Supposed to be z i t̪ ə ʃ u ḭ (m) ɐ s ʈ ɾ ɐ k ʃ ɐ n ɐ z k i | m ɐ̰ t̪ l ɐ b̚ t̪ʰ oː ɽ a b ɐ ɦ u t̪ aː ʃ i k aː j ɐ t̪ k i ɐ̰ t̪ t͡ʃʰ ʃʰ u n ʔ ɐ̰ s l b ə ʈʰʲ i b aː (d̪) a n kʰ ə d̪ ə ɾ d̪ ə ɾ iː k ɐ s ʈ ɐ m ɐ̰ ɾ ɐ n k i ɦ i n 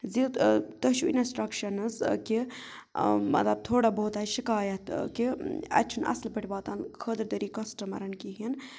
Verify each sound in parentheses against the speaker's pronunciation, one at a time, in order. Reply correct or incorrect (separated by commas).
incorrect, incorrect